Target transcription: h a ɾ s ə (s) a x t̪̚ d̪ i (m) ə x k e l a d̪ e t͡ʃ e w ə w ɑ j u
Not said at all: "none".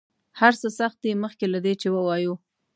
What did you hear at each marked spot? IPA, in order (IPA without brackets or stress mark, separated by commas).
s, m